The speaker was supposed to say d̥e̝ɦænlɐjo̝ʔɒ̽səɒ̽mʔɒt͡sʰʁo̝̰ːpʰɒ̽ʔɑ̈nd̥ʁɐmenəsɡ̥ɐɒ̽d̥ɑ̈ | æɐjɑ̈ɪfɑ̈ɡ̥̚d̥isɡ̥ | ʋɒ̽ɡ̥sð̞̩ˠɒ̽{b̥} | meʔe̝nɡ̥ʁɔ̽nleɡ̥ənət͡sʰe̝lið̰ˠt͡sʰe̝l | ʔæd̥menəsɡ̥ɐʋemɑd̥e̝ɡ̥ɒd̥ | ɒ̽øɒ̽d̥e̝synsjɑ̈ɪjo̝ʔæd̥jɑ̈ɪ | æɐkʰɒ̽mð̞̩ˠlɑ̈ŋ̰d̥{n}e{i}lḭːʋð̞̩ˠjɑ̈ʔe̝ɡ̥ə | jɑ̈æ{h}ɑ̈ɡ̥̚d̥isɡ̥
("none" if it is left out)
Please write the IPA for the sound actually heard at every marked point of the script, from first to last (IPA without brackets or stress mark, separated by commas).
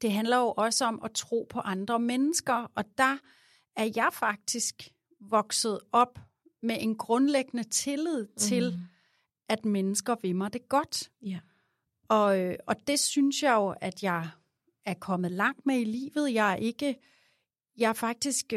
b̥, m, i, f